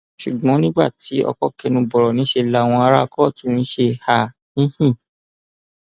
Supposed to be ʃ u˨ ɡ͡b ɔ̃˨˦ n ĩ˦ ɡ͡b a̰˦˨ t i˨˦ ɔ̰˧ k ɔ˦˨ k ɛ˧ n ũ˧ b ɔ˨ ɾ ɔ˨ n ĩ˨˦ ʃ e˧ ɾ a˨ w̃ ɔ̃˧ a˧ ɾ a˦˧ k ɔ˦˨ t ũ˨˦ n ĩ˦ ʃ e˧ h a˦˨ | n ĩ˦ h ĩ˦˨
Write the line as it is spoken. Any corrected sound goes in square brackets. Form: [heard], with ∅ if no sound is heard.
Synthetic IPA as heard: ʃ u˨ ɡ͡b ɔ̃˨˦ n ĩ˦ ɡ͡b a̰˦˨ t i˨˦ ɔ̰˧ k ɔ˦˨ k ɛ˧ n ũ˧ b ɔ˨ ɾ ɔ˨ n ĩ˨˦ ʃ e˧ [l] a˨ w̃ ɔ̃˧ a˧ ɾ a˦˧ k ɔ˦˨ t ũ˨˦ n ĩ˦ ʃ e˧ h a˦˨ | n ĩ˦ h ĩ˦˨